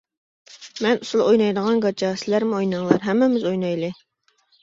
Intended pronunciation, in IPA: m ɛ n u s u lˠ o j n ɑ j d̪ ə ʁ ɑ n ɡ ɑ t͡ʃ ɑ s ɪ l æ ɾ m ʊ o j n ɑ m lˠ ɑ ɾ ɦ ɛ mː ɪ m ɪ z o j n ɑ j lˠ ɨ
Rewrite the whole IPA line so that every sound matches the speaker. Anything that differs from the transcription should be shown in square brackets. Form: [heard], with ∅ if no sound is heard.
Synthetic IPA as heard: m ɛ n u s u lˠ o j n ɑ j d̪ ə ʁ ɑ n ɡ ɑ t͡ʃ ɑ s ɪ l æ ɾ m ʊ o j n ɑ [ŋ] lˠ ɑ ɾ ɦ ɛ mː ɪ m ɪ z o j n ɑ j lˠ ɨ